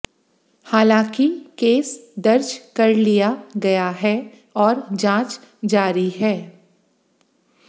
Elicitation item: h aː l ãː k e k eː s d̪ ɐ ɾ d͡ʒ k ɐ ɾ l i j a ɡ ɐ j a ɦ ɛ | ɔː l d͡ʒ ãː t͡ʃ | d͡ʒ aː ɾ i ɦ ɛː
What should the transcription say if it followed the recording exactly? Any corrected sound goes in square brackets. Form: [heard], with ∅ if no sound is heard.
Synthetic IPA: h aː l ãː k [i] k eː s d̪ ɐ ɾ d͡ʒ k ɐ ɾ l i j a ɡ ɐ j a ɦ ɛ | ɔː [ɾ] d͡ʒ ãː t͡ʃ | d͡ʒ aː ɾ i ɦ ɛː